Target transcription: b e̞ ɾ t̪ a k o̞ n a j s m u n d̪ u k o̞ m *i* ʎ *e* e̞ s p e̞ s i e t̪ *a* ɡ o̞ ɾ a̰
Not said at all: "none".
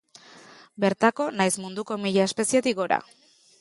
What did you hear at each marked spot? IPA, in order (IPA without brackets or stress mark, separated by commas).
i, a, i